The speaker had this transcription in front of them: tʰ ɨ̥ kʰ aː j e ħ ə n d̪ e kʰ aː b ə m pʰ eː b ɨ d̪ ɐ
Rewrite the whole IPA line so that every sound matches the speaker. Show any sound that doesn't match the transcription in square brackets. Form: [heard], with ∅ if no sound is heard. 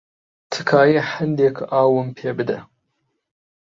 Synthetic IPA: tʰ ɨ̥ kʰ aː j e ħ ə n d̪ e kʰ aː [w] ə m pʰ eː b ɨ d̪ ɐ